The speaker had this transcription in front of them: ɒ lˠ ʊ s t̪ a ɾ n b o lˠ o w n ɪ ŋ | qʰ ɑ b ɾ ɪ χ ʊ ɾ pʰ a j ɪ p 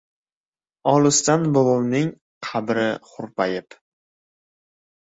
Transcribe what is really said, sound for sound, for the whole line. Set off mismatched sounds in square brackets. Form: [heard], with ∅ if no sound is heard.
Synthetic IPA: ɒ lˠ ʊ s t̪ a [∅] n b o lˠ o w n ɪ ŋ | qʰ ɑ b ɾ ɪ χ ʊ ɾ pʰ a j ɪ p